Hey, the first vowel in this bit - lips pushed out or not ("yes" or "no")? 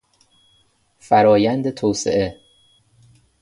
no